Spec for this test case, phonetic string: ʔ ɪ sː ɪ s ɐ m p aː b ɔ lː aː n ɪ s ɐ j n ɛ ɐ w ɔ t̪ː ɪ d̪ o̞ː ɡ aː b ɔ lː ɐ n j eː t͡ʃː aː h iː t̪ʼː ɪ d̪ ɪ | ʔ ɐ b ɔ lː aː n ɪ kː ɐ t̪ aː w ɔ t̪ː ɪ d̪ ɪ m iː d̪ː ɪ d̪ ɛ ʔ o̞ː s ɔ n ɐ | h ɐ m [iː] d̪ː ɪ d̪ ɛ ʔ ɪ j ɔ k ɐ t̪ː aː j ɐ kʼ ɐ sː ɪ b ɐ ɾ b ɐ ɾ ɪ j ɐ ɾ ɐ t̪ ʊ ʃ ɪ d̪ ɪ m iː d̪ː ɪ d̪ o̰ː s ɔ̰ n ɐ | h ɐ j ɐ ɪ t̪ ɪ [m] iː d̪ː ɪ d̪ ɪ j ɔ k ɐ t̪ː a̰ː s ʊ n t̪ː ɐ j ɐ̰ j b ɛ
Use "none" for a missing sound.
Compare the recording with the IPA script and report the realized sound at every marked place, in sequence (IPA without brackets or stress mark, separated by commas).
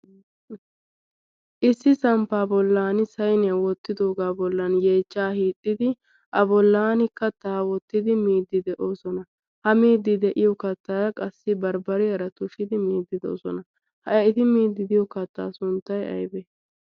iː, m